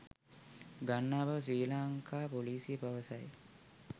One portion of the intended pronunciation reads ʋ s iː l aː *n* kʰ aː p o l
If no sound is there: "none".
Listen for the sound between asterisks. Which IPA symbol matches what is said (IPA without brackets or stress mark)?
ŋ